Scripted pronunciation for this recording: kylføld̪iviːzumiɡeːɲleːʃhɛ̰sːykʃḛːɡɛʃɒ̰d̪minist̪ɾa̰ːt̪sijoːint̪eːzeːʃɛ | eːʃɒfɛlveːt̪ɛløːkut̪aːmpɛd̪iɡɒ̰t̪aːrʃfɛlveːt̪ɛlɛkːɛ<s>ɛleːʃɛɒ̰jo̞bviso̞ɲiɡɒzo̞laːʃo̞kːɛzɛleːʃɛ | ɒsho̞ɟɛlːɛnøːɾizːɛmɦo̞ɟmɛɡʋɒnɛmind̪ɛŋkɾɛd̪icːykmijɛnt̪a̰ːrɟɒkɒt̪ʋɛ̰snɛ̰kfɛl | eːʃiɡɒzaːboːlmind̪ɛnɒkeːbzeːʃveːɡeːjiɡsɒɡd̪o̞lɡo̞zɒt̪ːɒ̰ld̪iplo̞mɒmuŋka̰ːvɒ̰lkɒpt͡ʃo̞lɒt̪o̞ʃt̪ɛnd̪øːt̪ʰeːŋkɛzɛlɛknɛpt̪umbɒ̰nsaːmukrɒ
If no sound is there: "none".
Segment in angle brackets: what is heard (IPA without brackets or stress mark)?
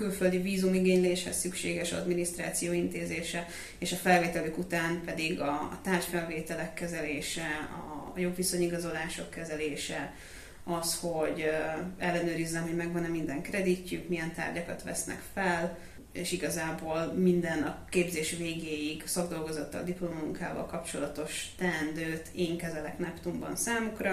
z